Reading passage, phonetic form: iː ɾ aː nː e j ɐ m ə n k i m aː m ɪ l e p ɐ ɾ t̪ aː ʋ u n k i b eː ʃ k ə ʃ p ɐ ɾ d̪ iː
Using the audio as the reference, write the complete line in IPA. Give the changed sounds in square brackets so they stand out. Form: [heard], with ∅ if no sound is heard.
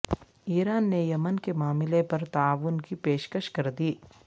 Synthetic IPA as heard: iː ɾ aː nː e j ɐ m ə n k [e] m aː m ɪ l e p ɐ ɾ t̪ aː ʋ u n k i [p] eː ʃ k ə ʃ [k] ɐ ɾ d̪ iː